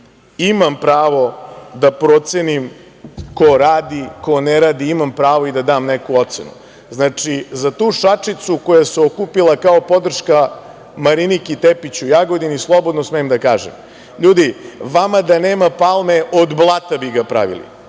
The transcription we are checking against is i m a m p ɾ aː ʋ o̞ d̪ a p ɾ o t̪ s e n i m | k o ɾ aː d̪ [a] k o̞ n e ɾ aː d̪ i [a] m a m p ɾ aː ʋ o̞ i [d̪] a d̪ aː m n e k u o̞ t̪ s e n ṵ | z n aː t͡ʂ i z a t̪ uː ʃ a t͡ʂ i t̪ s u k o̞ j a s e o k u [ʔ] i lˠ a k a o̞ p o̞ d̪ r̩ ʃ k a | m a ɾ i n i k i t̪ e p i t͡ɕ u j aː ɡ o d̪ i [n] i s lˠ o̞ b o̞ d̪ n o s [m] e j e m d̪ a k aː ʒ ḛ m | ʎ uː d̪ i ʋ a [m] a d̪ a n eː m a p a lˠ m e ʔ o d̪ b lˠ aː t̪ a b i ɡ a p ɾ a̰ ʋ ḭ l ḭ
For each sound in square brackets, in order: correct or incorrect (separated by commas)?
incorrect, incorrect, correct, incorrect, correct, correct, correct